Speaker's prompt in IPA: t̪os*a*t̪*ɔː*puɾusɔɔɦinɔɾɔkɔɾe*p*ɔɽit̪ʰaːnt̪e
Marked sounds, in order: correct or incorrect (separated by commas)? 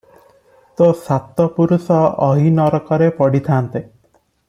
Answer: correct, incorrect, correct